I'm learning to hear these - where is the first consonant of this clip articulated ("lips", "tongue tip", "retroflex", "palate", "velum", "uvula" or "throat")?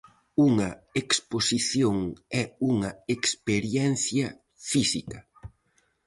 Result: velum